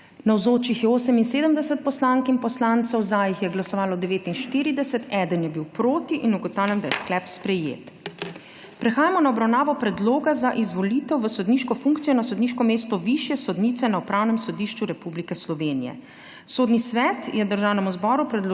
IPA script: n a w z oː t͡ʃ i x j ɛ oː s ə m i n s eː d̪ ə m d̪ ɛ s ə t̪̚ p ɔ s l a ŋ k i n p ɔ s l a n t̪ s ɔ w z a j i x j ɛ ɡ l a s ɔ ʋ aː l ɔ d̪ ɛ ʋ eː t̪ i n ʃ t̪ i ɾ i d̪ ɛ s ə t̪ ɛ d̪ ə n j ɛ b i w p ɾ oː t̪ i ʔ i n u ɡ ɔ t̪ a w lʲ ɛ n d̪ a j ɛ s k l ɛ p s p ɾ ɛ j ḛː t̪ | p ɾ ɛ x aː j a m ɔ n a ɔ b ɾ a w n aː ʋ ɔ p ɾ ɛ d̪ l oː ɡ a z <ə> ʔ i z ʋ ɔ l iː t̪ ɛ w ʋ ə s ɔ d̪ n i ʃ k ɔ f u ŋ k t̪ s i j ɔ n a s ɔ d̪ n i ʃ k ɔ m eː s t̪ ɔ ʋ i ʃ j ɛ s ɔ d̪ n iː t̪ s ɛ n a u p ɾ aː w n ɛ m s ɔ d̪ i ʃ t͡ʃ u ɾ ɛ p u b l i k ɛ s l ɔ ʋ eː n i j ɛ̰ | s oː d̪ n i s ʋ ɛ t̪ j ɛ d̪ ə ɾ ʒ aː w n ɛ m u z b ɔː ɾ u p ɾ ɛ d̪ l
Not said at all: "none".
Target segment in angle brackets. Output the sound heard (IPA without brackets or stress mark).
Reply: a